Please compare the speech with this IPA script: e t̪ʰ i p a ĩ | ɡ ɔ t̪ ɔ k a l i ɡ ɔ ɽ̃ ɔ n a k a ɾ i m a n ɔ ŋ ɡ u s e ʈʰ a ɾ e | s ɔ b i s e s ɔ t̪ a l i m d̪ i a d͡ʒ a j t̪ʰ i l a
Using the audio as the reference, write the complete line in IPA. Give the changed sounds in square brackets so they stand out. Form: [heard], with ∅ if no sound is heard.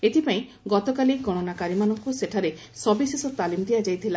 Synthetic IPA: e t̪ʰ i p a ĩ | ɡ ɔ t̪ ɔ k a l i ɡ ɔ ɽ̃ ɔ n a k a ɾ i m a n ɔ ŋ [k] u s e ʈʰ a ɾ e | s ɔ b i s e s ɔ t̪ a l i m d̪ i a d͡ʒ a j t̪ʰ i l a